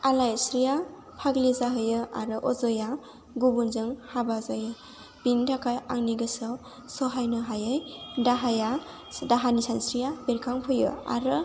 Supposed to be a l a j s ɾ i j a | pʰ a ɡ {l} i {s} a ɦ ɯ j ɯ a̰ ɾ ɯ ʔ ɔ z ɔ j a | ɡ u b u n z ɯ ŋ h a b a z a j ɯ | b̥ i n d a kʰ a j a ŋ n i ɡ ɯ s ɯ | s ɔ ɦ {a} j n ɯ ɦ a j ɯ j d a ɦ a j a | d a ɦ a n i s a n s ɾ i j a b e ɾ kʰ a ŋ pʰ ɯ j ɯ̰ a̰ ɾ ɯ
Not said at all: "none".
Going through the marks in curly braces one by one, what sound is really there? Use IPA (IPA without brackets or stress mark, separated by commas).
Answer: l, z, a